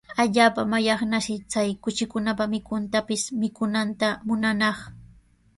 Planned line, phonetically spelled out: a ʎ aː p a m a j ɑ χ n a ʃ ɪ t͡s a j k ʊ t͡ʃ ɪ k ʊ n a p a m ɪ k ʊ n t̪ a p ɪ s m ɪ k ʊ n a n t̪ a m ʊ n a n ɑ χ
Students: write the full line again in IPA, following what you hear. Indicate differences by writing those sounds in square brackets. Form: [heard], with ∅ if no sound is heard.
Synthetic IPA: a ʎ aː p a m a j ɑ χ n a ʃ ɪ t͡s a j k ʊ t͡ʃ ɪ k ʊ n a p a m ɪ k ʊ n t̪ a p ɪ s m ɪ k ʊ n a n t̪ a m ʊ n a n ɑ χ